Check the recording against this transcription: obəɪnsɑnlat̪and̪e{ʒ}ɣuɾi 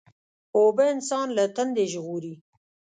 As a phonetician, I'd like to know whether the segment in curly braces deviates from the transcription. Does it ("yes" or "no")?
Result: no